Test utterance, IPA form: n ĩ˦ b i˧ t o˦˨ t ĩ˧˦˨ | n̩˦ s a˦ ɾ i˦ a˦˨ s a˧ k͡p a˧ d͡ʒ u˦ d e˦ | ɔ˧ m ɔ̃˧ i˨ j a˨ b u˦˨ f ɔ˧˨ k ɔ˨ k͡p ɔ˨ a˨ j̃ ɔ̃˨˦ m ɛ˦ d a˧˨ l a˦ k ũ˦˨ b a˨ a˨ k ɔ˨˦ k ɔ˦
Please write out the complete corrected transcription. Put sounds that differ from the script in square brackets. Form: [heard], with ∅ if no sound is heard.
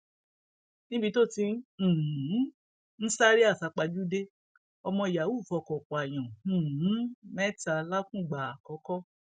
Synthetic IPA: n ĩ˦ b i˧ t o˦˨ t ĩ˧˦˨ | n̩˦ s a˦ ɾ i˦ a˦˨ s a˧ k͡p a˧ d͡ʒ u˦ d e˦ | ɔ˧ m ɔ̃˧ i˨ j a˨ [w] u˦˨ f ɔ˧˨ k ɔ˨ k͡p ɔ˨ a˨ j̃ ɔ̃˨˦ m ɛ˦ [t] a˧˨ l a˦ k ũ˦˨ [ɡ͡b] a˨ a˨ k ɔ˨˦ k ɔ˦